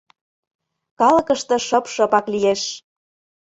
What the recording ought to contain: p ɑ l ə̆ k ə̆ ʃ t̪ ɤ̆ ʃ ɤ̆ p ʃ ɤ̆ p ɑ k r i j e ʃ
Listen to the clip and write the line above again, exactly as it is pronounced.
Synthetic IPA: k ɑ l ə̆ k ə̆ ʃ t̪ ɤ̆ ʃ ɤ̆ p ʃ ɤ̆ p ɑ k l i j e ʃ